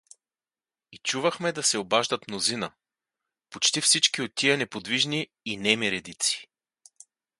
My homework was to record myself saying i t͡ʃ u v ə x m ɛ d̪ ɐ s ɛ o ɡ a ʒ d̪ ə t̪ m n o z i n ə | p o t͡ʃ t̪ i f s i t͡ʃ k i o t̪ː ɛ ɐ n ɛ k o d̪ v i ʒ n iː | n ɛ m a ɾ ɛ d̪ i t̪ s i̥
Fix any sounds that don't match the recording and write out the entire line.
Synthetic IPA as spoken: i t͡ʃ u v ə x m ɛ d̪ ɐ s ɛ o b a ʒ d̪ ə t̪ m n o z i n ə | p o t͡ʃ t̪ i f s i t͡ʃ k i o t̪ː i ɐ n ɛ p o d̪ v i ʒ n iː | n ɛ m i ɾ ɛ d̪ i t̪ s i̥